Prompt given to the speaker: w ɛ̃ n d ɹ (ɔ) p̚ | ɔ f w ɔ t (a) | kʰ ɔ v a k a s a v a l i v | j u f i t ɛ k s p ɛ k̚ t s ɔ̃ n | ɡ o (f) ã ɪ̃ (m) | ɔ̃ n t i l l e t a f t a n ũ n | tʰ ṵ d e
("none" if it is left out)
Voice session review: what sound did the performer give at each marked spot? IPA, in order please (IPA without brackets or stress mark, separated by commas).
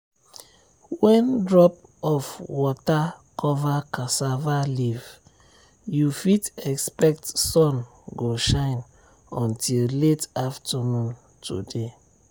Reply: ɔ, a, ʃ, n